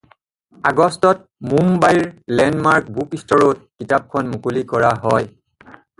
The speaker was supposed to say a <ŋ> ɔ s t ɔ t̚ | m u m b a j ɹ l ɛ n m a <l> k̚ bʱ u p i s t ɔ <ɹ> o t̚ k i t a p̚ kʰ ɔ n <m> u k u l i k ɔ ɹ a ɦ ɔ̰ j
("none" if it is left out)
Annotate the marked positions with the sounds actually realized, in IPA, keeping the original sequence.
ɡ, ɹ, ɹ, m

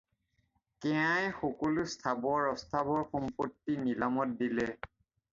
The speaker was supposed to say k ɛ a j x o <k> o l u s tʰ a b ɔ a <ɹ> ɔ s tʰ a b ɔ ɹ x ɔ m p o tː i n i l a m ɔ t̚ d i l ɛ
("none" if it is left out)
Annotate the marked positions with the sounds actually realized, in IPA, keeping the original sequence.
k, ɹ

